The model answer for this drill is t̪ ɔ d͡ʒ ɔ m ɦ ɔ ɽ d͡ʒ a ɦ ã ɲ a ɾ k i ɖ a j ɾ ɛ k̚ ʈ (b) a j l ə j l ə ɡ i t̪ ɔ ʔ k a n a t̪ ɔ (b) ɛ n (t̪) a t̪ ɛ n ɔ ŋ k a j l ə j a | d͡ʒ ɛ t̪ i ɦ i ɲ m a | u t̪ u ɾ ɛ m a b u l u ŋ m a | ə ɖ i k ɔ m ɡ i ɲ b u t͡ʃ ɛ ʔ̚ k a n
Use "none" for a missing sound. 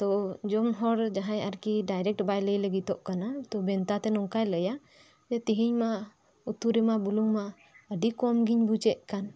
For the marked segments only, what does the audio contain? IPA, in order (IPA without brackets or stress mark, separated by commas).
b, b, t̪